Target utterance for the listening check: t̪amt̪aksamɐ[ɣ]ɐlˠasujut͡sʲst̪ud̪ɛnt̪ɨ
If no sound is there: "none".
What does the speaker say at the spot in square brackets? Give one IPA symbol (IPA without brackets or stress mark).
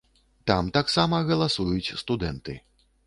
ɣ